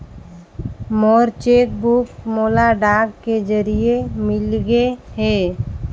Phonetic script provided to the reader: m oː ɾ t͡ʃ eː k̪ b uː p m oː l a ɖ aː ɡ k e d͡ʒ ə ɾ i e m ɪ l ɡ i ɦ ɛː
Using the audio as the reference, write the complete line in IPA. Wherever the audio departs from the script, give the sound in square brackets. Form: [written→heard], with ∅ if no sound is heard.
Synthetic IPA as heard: m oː ɾ t͡ʃ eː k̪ b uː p m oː l a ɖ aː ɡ k e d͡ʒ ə ɾ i e m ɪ l ɡ [i→e] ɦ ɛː